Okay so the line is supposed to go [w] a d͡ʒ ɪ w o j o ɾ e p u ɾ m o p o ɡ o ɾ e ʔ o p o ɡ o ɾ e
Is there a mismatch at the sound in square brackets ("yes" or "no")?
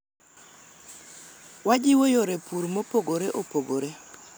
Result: no